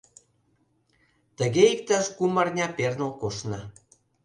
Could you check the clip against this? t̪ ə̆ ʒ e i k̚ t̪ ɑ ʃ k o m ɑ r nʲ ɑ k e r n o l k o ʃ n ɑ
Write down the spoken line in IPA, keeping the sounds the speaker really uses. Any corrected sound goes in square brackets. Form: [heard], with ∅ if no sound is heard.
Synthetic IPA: t̪ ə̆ [ɣ] e i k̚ t̪ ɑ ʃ k [u] m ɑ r nʲ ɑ [p] e r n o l k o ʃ n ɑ